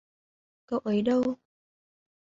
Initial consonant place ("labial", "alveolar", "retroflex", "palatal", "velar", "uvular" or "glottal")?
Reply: velar